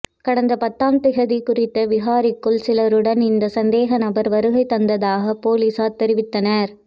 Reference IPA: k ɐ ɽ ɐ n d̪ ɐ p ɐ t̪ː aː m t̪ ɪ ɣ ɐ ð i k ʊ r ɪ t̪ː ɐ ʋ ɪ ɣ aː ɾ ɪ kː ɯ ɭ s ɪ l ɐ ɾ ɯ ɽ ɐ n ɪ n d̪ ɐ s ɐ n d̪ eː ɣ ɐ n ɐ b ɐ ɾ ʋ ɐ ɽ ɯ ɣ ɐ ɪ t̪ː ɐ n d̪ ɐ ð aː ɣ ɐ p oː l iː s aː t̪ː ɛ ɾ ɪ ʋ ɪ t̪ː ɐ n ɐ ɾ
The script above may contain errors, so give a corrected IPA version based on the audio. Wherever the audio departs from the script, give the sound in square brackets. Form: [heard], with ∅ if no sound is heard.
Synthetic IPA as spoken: k ɐ ɽ ɐ n d̪ ɐ p ɐ t̪ː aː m t̪ ɪ ɣ ɐ ð i k ʊ r ɪ t̪ː ɐ ʋ ɪ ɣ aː ɾ ɪ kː ɯ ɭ s ɪ l ɐ ɾ ɯ ɽ ɐ n ɪ n d̪ ɐ s ɐ n d̪ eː ɣ ɐ n ɐ b ɐ ɾ ʋ ɐ [ɾ] ɯ ɣ ɐ ɪ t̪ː ɐ n d̪ ɐ ð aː ɣ ɐ p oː l iː s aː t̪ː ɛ ɾ ɪ ʋ ɪ t̪ː ɐ n ɐ ɾ